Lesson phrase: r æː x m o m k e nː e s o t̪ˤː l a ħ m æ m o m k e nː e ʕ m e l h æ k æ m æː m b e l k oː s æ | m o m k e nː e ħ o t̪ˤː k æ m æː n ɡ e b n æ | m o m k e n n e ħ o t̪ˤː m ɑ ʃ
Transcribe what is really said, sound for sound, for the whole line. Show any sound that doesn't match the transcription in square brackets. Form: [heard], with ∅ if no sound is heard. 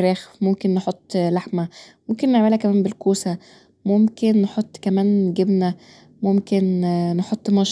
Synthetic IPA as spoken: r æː x m o m k e nː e [ħ] o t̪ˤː l a ħ m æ m o m k e nː e ʕ m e l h æ k æ m æː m b e l k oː s æ | m o m k e nː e ħ o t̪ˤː k æ m æː n ɡ e b n æ | m o m k e n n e ħ o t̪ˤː m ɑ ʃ